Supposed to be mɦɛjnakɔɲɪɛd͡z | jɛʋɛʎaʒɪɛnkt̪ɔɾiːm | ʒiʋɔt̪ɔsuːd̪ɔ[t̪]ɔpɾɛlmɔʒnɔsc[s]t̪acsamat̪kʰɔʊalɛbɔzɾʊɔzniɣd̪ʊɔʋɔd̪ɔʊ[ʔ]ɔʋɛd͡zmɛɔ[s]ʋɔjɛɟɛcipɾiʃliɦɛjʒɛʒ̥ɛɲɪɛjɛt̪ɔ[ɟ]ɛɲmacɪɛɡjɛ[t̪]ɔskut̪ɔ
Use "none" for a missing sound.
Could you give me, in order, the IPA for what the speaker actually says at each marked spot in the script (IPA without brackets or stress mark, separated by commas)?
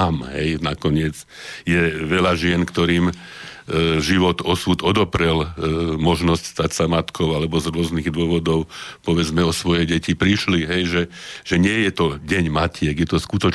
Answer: d̪, s, p, s, ɟ, t̪